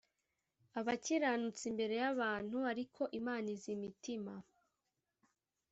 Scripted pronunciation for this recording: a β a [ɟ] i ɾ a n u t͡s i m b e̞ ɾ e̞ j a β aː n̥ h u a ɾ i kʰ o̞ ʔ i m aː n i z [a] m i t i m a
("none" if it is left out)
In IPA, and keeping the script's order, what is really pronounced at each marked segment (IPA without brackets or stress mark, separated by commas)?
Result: c, i